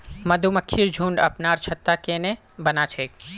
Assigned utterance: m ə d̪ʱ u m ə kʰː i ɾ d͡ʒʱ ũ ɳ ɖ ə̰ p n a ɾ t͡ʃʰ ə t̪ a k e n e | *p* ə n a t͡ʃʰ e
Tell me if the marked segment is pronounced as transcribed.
no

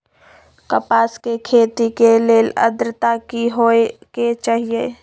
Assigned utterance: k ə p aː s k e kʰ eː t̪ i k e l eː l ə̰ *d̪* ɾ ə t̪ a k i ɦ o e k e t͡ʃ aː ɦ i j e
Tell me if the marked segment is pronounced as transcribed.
yes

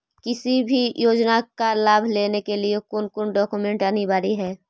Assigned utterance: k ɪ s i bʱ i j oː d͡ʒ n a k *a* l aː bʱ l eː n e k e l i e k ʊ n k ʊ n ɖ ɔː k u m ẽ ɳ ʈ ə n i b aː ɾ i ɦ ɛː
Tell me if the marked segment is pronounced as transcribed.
yes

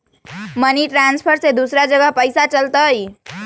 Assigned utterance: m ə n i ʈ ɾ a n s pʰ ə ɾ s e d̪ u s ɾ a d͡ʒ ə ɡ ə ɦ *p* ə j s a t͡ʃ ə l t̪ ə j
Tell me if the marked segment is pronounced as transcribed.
yes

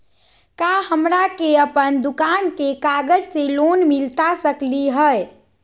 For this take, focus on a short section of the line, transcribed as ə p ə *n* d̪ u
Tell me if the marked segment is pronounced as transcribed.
yes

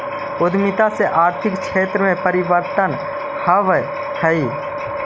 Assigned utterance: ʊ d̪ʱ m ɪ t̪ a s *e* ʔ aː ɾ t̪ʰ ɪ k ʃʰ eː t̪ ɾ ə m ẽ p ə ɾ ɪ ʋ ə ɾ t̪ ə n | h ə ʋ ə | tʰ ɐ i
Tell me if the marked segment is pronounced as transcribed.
yes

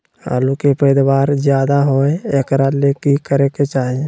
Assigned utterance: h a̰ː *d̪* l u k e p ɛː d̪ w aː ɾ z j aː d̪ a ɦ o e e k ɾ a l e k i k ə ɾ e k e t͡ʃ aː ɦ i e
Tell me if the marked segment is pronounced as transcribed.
no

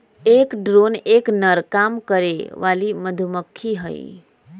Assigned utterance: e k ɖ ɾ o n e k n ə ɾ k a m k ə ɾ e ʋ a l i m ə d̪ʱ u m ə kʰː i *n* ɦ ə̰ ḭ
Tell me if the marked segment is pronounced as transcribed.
no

